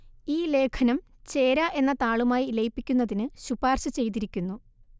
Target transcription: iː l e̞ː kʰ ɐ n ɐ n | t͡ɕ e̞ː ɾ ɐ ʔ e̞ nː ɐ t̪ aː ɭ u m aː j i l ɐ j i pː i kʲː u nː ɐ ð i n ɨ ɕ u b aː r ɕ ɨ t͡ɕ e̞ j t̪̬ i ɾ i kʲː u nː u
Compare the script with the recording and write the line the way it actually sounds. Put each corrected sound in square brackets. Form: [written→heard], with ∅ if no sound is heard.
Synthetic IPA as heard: iː l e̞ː kʰ ɐ n ɐ [n→m] | t͡ɕ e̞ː ɾ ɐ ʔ e̞ nː ɐ t̪ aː ɭ u m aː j i l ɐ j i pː i kʲː u nː ɐ ð i n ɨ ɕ u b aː r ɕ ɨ t͡ɕ e̞ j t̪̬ i ɾ i kʲː u nː u